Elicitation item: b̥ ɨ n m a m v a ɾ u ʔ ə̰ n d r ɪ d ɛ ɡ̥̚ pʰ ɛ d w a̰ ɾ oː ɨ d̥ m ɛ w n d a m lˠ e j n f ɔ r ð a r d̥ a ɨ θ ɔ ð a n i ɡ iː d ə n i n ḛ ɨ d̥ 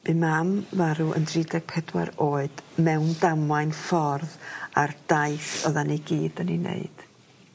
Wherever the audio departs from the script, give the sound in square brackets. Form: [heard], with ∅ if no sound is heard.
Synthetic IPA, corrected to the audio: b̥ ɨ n m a m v a ɾ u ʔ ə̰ n d r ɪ d ɛ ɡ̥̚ pʰ ɛ d w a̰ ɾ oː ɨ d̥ m ɛ w n d a m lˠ [a] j n f ɔ r ð a r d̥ a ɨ θ ɔ ð a n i ɡ iː d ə n i n ḛ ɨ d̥

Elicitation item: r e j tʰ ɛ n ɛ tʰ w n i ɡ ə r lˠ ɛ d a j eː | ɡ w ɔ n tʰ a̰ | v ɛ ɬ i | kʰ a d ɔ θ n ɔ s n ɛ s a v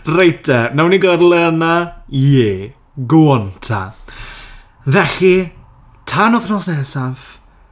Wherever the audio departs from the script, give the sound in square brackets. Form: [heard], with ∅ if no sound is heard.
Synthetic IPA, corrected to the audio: r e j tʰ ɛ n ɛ [∅] w n i ɡ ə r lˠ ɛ [n] a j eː | ɡ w ɔ n tʰ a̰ | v ɛ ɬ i | [tʰ] a [n] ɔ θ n ɔ s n ɛ s a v

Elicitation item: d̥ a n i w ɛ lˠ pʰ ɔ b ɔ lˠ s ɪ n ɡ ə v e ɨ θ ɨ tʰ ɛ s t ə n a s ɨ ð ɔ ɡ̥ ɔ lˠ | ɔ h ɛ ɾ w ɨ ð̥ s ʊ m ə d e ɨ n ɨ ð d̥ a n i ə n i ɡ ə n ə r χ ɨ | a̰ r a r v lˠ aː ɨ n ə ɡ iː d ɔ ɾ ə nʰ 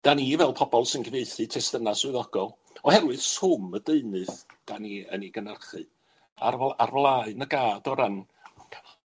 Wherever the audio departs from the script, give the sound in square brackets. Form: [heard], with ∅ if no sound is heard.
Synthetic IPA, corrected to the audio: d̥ a n i [v] ɛ lˠ pʰ ɔ b ɔ lˠ s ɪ n ɡ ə v e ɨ θ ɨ tʰ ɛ s t ə n a s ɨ ð ɔ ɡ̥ ɔ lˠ | ɔ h ɛ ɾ w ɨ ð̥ s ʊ m ə d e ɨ n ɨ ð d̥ a n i ə n i ɡ ə n ə r χ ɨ | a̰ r a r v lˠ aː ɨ n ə ɡ [aː] d ɔ ɾ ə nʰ

